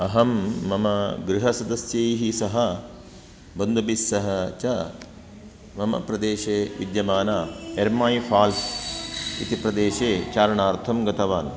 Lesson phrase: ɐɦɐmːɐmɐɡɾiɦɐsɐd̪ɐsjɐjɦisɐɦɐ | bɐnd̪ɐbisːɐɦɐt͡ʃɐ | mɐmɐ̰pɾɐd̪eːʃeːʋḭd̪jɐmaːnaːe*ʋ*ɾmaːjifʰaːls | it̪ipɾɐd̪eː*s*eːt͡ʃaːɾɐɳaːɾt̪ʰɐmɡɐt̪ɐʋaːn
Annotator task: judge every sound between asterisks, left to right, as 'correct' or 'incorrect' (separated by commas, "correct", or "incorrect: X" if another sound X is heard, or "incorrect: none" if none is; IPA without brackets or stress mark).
incorrect: none, incorrect: ʃ